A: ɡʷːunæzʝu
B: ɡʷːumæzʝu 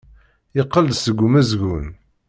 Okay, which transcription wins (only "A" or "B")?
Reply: B